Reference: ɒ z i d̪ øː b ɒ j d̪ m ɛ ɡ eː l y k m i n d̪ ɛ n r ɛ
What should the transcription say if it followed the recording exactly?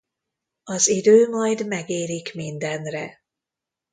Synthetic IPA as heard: ɒ z i d̪ øː m ɒ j d̪ m ɛ ɡ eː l i k m i n d̪ ɛ n r ɛ